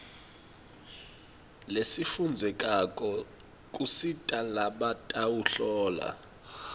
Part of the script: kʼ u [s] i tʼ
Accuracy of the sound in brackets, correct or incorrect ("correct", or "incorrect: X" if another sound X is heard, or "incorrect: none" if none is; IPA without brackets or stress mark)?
correct